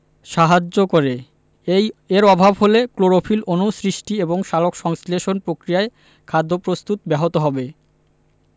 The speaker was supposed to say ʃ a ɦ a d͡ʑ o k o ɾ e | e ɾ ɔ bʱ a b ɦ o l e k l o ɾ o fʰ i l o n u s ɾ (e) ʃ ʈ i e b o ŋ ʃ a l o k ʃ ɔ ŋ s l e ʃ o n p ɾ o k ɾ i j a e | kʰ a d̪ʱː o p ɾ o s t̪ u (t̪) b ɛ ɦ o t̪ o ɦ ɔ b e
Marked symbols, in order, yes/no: no, yes

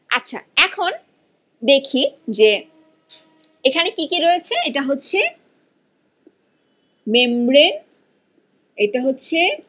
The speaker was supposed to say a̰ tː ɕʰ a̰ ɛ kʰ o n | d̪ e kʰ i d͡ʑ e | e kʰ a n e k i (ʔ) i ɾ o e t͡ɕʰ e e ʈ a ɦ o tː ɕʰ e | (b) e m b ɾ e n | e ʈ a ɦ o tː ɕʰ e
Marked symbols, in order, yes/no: no, no

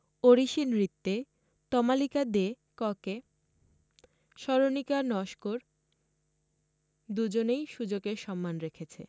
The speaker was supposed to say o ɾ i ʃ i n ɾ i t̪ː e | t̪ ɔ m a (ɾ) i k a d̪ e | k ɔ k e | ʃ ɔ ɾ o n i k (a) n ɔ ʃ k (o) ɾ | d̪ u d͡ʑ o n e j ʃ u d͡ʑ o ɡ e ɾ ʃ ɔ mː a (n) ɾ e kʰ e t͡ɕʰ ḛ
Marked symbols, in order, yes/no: no, yes, yes, yes

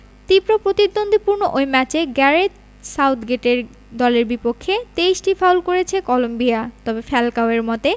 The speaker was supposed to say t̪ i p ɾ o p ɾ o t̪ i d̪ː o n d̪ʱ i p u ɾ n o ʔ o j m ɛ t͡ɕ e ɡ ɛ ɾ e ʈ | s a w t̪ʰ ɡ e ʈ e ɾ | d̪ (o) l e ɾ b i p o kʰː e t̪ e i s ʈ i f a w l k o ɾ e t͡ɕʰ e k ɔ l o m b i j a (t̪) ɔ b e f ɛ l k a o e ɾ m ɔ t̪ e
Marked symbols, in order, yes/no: no, yes

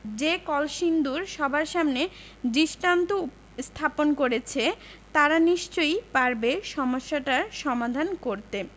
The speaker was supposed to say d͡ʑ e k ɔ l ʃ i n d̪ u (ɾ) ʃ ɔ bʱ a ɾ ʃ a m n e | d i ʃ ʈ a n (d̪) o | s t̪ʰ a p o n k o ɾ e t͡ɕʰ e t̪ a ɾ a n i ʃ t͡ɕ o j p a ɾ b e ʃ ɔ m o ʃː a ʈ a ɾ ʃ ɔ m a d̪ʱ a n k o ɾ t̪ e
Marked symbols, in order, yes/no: yes, no

